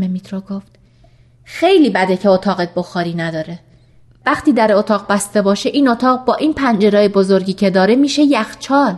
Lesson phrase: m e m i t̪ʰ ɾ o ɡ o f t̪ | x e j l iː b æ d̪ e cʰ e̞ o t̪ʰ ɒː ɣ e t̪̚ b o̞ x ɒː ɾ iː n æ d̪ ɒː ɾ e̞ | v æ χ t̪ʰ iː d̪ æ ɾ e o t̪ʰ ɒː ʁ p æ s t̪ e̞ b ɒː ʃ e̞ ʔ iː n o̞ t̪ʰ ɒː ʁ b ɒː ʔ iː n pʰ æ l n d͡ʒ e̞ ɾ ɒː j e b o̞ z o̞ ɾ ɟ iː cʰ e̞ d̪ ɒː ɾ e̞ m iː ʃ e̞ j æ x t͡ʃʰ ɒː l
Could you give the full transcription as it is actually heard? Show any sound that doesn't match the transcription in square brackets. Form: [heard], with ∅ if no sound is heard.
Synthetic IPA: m e m i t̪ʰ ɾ o ɡ o f t̪ | x e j l iː b æ d̪ e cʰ e̞ o t̪ʰ ɒː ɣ e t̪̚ b o̞ x ɒː ɾ iː n æ d̪ ɒː ɾ e̞ | v æ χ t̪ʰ iː d̪ æ ɾ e o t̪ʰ ɒː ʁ [b] æ s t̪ e̞ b ɒː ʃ e̞ ʔ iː n o̞ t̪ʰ ɒː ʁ b ɒː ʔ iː n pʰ æ [∅] n d͡ʒ e̞ ɾ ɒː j e b o̞ z o̞ ɾ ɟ iː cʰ e̞ d̪ ɒː ɾ e̞ m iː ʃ e̞ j æ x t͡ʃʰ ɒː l